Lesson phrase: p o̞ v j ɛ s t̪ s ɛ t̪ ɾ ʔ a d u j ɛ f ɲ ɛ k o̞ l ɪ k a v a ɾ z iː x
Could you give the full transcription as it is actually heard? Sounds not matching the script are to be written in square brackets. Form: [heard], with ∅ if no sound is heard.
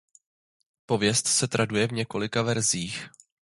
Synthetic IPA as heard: p o̞ v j ɛ s t̪ s ɛ t̪ ɾ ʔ a d u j ɛ [v] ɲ ɛ k o̞ l ɪ k a v [ɛ] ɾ z iː x